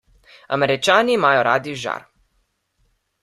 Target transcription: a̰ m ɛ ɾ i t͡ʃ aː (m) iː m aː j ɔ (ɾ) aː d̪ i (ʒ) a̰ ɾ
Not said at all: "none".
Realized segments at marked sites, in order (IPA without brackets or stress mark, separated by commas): n, ɾ, ʒ